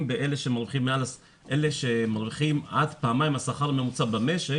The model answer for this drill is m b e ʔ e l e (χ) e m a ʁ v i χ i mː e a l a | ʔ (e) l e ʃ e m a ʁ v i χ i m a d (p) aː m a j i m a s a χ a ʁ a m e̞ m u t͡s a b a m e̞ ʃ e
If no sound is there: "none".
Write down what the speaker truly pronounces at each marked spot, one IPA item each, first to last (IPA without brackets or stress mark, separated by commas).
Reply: ʃ, e, p